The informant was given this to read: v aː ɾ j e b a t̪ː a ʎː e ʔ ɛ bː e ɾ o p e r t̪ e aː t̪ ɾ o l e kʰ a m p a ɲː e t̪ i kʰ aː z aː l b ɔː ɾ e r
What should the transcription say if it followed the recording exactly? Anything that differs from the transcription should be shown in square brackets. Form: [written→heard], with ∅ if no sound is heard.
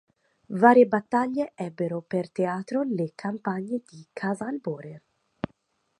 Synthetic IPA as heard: v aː ɾ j e b a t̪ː a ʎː e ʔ ɛ bː e ɾ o p e r t̪ e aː t̪ ɾ o l e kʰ a m p a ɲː e [t̪→d̪] i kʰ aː z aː l b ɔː ɾ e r

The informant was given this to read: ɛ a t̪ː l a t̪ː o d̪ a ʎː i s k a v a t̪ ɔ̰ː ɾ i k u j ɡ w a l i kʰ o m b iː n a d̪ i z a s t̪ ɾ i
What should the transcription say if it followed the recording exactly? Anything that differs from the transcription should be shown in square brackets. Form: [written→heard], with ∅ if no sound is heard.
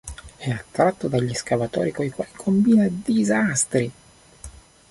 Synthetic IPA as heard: ɛ a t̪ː [l→ɾ] a t̪ː o d̪ a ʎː i s k a v a t̪ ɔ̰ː ɾ i k [u→o] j [ɡ→k] w a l i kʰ o m b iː n a d̪ i z a s t̪ ɾ i

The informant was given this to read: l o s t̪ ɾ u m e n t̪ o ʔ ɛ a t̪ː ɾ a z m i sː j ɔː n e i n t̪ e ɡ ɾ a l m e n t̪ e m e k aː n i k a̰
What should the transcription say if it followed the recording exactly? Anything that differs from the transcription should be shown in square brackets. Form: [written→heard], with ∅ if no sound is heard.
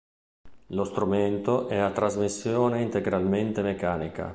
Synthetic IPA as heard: l o s t̪ ɾ u m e n t̪ o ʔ ɛ a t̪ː ɾ a z m i sː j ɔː n e i n t̪ e ɡ ɾ a l m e n t̪ e m e k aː n i k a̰

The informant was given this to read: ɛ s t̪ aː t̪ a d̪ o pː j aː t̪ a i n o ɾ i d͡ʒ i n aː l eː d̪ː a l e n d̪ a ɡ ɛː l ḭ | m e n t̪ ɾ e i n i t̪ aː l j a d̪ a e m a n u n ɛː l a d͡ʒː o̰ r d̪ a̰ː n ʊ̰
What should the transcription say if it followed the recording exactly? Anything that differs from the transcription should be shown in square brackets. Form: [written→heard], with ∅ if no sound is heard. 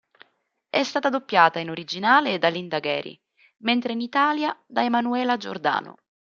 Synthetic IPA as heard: ɛ s t̪ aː t̪ a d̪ o pː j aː t̪ a i n o ɾ i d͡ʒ i n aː l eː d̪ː a l [e→i] n d̪ a ɡ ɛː [l→ɾ] ḭ | m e n t̪ ɾ e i n i t̪ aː l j a d̪ a e m a n u [n→∅] ɛː l a [d͡ʒː→d͡ʒ] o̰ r d̪ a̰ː n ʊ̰

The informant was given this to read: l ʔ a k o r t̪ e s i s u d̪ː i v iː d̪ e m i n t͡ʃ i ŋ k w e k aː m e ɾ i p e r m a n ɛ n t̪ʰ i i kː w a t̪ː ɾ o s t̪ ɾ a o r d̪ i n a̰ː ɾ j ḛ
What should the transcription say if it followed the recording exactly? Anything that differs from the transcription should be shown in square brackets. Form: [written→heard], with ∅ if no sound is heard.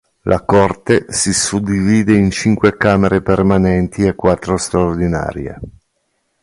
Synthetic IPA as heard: l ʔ a k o r t̪ e s i s u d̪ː i v iː d̪ e [m→∅] i n t͡ʃ i ŋ k w e k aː m e ɾ [i→e] p e r m a n ɛ n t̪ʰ i [i→e] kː w a t̪ː ɾ o s t̪ ɾ a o r d̪ i n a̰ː ɾ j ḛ

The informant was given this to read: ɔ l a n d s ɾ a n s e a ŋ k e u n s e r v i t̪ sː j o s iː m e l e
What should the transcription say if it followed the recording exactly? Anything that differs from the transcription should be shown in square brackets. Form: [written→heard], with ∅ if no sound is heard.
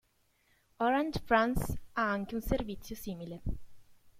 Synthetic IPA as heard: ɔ [l→ɾ] a n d [s→f] ɾ a n s [e→a] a ŋ k e u n s e r v i t̪ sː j o s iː m [e→i] l e

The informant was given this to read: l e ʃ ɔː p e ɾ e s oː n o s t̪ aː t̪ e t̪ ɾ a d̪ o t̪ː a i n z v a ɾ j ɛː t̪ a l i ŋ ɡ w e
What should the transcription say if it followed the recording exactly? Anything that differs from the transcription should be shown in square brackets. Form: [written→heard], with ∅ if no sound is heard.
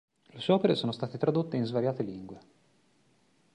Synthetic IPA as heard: l e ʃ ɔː p e ɾ e s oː n o s t̪ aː t̪ e t̪ ɾ a d̪ o t̪ː [a→e] i n z v a ɾ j [ɛː→aː] t̪ [a→e] l i ŋ ɡ w e

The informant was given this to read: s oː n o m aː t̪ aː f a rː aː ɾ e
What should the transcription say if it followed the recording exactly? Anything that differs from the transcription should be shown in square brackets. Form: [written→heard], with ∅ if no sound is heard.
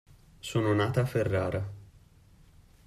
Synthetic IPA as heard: s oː n o [m→n] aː t̪ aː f [a→e] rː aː ɾ [e→a]

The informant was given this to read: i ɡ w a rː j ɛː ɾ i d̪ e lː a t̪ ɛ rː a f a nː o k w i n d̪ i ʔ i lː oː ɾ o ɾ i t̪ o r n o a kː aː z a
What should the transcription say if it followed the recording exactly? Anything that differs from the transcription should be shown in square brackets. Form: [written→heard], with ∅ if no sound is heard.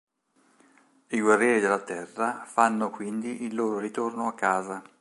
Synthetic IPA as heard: i ɡ w a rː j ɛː ɾ i d̪ e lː a t̪ ɛ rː a f a nː o k w i n d̪ i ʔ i lː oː ɾ o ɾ i t̪ o r n o a kː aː z a

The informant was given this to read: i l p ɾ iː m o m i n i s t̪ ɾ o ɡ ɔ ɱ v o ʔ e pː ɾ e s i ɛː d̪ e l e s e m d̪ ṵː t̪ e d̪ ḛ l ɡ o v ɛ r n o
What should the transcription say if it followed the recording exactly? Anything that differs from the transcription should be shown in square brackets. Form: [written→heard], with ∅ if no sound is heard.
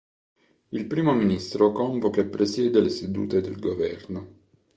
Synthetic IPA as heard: i l p ɾ iː m o m i n i s t̪ ɾ o [ɡ→k] ɔ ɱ v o [ʔ→k] e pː ɾ e s [i→j] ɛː d̪ e l e s e [m→∅] d̪ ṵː t̪ e d̪ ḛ l ɡ o v ɛ r n o

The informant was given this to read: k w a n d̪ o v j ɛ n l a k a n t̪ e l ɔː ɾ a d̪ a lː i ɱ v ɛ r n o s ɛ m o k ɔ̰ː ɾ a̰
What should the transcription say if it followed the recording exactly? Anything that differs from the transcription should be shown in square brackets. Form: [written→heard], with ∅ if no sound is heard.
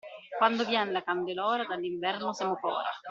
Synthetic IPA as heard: k w a n d̪ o v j ɛ n l a k a n [t̪→d̪] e l ɔː ɾ a d̪ a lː i ɱ v ɛ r n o s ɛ m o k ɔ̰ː ɾ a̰

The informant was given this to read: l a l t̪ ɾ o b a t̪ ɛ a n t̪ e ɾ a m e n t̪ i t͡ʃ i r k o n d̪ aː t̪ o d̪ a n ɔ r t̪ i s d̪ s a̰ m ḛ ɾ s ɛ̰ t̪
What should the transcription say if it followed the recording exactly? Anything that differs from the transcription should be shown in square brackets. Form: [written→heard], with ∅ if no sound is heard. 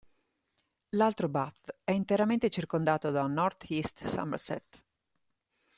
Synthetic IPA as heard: l a l t̪ ɾ o b a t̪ ɛ [a→i] n t̪ e ɾ a m e n t̪ [i→e] t͡ʃ i r k o n d̪ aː t̪ o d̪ a n ɔ r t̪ i s [d̪→t̪] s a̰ m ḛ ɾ s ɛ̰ t̪

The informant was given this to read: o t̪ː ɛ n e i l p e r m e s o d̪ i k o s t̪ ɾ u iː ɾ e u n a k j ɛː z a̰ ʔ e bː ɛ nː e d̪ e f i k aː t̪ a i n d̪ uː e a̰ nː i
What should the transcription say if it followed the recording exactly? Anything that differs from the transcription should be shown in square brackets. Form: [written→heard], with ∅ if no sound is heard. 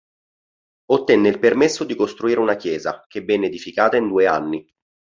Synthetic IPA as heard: o t̪ː ɛ [n→nː] e i l p e r m e [s→sː] o d̪ i k o s t̪ ɾ u iː ɾ e u n a k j ɛː z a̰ [ʔ→k] e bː ɛ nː e d̪ [e→i] f i k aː t̪ a i n d̪ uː e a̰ nː i

